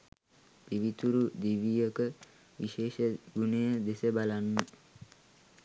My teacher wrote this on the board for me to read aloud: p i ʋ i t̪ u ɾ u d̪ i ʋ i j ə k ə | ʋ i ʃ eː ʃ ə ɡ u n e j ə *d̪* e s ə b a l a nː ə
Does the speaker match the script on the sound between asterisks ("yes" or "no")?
yes